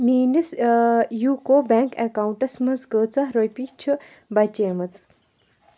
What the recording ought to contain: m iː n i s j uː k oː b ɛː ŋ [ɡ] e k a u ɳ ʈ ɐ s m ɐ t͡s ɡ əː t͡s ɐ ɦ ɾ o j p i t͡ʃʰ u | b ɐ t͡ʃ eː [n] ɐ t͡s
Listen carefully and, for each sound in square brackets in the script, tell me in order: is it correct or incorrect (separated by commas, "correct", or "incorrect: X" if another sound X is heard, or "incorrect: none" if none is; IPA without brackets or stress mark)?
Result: incorrect: k, incorrect: m